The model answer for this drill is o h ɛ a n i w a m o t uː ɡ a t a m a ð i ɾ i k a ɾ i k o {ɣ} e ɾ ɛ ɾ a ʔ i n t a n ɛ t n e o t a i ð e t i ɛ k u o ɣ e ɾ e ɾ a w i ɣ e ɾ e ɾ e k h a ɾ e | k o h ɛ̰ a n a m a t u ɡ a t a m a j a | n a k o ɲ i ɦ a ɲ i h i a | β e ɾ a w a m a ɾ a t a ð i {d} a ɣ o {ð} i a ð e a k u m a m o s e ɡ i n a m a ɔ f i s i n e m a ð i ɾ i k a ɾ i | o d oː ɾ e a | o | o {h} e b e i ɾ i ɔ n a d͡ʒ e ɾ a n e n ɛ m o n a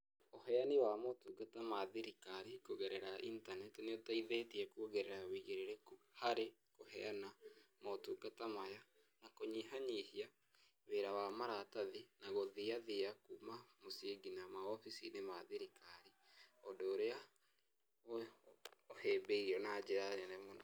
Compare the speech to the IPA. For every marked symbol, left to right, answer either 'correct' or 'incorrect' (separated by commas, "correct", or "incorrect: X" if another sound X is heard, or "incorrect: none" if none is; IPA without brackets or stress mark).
correct, incorrect: n, correct, correct